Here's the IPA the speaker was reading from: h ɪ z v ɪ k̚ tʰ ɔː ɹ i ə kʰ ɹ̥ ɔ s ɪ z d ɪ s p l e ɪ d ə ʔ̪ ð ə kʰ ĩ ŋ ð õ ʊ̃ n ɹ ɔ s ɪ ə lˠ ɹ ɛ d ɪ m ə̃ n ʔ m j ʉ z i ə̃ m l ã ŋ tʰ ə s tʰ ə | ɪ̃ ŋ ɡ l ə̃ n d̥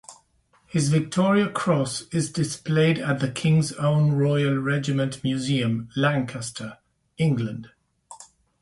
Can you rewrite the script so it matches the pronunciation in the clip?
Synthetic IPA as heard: h ɪ z v ɪ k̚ tʰ ɔː ɹ i ə kʰ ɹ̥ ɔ s ɪ z d ɪ s p l e ɪ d ə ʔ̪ ð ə kʰ ɪ̃ ŋ z õ ʊ̃ n ɹ ɔ ɪ ə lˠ ɹ ɛ d͡ʒ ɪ m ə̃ n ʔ m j ʉ z i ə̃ m l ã ŋ kʰ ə s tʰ ə | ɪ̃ ŋ ɡ l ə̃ n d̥